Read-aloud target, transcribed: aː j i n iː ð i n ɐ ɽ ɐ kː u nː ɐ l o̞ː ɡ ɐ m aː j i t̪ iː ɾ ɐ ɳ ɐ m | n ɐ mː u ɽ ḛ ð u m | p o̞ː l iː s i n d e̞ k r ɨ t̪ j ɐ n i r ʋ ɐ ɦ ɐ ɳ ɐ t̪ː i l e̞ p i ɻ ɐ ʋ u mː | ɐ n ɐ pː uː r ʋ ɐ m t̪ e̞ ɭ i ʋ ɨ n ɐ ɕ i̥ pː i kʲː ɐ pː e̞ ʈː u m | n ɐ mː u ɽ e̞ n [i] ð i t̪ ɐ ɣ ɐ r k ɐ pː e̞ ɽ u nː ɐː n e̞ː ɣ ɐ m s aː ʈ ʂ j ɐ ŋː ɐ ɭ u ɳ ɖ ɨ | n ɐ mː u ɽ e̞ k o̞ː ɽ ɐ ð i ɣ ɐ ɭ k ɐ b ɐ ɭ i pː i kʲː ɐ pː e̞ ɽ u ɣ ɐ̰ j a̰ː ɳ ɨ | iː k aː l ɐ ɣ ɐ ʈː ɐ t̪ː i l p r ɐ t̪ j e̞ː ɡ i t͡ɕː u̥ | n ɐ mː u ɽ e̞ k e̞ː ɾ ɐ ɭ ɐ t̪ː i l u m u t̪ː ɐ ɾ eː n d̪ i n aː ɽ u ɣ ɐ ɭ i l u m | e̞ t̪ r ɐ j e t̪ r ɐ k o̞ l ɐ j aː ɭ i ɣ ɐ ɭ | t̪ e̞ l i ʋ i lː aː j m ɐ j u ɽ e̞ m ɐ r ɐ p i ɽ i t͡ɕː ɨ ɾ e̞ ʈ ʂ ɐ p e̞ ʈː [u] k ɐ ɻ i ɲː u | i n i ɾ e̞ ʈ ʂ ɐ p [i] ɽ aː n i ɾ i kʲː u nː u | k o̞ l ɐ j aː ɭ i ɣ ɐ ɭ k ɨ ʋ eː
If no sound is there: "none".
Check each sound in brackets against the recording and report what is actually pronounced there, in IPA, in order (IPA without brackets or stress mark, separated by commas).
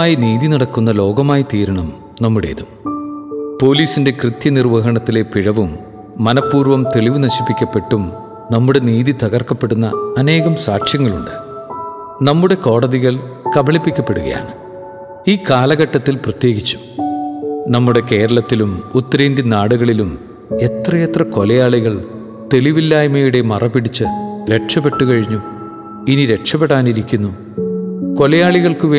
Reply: iː, u, e